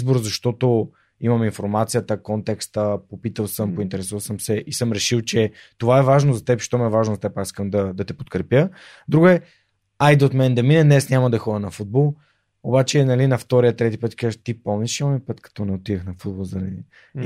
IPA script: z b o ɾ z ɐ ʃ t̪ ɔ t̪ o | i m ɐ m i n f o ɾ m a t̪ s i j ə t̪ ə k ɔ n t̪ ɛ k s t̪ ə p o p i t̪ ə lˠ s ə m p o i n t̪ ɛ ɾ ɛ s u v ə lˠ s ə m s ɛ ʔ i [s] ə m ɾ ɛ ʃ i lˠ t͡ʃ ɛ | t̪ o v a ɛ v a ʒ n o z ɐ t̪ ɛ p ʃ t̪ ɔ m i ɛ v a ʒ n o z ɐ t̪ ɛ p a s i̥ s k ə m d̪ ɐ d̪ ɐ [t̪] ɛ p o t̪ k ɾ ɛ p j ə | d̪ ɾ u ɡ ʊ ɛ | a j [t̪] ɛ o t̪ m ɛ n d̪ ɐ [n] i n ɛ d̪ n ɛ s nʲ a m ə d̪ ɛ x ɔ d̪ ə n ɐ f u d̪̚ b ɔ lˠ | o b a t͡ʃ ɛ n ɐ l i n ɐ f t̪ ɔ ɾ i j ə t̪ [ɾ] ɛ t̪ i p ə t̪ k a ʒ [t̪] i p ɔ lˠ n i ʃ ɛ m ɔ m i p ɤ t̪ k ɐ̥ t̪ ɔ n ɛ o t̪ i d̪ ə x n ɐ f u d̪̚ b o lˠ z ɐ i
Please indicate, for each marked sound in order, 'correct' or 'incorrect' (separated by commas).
correct, correct, incorrect, incorrect, correct, correct